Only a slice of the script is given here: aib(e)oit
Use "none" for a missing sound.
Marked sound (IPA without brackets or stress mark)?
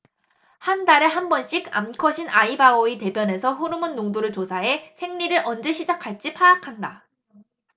a